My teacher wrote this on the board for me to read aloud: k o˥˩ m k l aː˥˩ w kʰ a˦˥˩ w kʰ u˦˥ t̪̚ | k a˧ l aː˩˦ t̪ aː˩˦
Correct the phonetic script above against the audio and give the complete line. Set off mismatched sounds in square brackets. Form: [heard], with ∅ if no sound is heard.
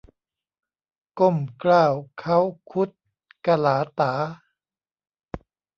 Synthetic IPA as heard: k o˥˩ m k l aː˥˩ w kʰ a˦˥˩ w kʰ u˦˥ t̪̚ | k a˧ l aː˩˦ t̪ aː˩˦